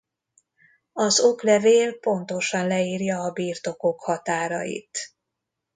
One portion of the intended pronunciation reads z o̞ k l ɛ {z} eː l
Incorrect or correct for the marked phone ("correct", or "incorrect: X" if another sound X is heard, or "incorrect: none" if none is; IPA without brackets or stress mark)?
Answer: incorrect: v